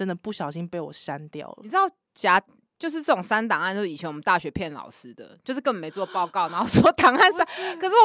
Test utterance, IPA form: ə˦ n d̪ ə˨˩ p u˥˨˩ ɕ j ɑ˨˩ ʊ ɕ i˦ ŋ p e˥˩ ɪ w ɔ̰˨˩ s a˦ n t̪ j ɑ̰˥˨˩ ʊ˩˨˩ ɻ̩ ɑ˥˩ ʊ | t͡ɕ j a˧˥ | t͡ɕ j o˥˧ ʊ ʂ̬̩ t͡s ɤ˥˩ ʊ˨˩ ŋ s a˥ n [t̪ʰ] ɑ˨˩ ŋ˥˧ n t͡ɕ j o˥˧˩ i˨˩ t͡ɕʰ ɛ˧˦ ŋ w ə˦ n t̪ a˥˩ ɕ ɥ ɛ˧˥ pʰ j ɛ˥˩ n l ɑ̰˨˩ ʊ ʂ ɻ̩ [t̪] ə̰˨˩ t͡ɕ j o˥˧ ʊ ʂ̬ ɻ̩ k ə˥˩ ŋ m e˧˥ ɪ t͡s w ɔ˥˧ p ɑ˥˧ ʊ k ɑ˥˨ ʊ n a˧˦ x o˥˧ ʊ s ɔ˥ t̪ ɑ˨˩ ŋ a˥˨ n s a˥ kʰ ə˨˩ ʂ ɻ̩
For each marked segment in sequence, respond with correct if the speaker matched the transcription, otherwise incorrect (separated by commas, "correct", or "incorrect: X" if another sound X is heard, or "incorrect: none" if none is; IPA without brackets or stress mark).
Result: incorrect: t̪, incorrect: d̪